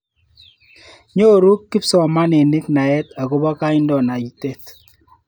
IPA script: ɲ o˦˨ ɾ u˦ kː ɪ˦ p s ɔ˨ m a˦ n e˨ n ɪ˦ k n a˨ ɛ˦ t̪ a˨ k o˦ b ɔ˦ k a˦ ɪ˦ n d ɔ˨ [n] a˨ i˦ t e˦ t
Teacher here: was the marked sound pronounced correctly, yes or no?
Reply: yes